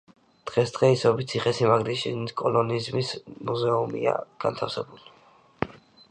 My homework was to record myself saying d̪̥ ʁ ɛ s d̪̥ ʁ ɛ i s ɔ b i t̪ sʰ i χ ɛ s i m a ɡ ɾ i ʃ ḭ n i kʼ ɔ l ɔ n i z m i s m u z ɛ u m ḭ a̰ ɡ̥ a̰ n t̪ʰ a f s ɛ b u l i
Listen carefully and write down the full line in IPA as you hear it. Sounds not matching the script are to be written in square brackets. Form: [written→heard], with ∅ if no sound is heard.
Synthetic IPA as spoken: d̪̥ ʁ ɛ s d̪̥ ʁ ɛ i s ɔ b i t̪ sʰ i χ ɛ s i m a ɡ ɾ i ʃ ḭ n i kʼ ɔ l ɔ n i z m i s m u z ɛ u m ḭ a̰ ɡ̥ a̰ n t̪ʰ a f s ɛ b u l i